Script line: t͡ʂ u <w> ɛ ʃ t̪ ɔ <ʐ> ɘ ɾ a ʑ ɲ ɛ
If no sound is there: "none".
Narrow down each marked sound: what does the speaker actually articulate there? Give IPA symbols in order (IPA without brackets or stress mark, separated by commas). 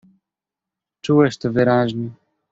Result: w, v